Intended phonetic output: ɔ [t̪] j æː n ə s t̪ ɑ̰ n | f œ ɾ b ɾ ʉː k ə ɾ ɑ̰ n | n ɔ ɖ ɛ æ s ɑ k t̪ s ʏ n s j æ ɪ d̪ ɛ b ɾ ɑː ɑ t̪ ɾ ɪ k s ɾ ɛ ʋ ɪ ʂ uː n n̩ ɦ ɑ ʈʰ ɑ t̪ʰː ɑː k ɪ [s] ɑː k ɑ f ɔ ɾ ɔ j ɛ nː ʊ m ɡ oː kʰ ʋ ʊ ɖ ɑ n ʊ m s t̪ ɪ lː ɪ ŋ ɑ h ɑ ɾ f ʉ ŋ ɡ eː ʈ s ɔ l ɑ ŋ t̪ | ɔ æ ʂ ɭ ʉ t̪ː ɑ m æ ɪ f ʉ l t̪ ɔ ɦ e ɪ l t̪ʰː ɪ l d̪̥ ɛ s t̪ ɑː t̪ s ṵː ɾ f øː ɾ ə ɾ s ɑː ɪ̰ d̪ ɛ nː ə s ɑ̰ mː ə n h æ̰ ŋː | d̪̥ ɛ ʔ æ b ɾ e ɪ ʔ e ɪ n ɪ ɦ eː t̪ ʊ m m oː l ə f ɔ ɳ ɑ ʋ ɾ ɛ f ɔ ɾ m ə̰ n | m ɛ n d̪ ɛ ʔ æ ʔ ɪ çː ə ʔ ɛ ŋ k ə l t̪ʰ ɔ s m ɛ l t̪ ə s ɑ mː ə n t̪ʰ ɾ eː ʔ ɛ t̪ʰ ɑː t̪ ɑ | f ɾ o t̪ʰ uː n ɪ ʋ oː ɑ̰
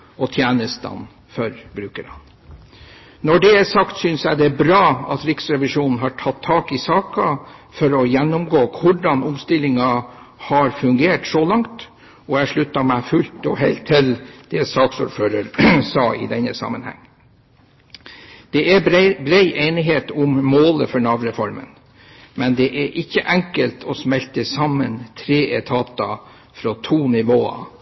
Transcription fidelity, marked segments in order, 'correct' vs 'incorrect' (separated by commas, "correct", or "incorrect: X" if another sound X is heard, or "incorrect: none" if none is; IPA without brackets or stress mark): incorrect: t̪ʰ, correct